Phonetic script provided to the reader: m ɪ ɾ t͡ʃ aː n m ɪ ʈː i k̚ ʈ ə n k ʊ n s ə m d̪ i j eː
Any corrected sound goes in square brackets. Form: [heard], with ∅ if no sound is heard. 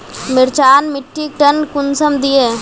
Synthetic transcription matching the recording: m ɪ ɾ t͡ʃ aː n m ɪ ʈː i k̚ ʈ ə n k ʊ n s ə m d̪ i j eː